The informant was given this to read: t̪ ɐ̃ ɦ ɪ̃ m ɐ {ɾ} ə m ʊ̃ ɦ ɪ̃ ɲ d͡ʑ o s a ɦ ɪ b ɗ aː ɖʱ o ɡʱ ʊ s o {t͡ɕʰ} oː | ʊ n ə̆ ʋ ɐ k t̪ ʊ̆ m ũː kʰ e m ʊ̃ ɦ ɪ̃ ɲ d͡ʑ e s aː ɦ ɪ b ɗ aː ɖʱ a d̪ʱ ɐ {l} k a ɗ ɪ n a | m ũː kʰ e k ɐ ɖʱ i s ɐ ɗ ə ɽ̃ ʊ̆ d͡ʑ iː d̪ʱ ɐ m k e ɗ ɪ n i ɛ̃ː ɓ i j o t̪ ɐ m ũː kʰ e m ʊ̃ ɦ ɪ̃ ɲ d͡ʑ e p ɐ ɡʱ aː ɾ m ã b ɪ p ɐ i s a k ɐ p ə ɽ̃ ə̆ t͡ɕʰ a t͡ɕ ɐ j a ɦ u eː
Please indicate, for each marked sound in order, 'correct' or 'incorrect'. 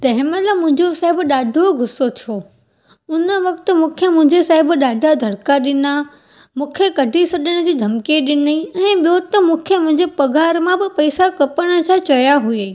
incorrect: l, correct, incorrect: ɽ

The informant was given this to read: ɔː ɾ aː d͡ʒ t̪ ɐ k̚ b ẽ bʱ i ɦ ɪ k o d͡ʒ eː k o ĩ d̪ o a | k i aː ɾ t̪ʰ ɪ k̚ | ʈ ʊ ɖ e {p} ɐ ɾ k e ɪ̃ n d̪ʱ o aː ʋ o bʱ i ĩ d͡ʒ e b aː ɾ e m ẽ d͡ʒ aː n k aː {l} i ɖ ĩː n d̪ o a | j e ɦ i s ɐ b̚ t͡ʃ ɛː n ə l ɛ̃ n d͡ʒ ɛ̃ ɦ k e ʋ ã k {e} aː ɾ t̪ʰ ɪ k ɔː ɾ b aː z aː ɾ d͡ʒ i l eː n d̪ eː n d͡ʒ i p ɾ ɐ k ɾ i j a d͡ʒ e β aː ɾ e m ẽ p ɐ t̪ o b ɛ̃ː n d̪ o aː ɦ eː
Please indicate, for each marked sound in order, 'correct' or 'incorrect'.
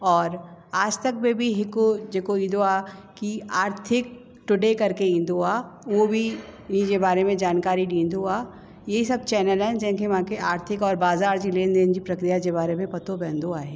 incorrect: k, incorrect: ɾ, correct

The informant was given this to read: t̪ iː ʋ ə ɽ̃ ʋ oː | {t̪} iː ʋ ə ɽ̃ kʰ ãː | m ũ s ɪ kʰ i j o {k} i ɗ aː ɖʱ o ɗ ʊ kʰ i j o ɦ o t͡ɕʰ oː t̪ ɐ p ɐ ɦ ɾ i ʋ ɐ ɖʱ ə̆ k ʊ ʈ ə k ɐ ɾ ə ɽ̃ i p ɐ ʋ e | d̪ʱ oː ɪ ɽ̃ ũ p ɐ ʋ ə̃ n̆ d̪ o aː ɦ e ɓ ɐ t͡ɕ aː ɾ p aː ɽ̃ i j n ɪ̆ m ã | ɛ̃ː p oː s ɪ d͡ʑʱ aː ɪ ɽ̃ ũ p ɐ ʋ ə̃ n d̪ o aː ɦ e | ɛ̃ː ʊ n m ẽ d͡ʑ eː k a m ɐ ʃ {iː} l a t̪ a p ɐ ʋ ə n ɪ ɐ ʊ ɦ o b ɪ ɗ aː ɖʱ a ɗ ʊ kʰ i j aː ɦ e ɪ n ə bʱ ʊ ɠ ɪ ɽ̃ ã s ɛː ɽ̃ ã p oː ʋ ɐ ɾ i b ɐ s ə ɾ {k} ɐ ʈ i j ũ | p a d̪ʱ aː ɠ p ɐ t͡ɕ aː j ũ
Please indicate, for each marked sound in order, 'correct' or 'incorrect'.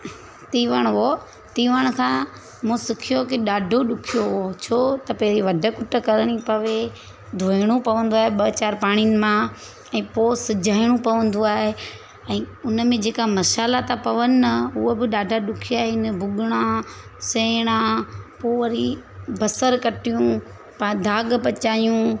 correct, correct, incorrect: aː, correct

